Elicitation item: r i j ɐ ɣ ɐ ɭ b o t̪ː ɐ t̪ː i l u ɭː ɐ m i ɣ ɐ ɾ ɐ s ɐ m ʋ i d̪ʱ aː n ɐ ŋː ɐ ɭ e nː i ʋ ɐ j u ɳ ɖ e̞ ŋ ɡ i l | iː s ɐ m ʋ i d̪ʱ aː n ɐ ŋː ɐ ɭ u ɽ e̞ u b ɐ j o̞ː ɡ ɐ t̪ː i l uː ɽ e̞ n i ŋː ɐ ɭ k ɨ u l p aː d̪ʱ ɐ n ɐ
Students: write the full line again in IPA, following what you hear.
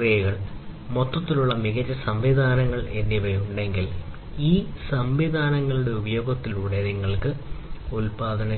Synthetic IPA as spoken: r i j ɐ ɣ ɐ ɭ m o t̪ː ɐ t̪ː i l u ɭː ɐ m i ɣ ɐ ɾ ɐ s ɐ m ʋ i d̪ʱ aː n ɐ ŋː ɐ ɭ e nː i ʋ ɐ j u ɳ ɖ e̞ ŋ ɡ i l | iː s ɐ m ʋ i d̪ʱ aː n ɐ ŋː ɐ ɭ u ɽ e̞ u b ɐ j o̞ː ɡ ɐ t̪ː i l uː ɽ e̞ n i ŋː ɐ ɭ k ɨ u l p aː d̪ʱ ɐ n ɐ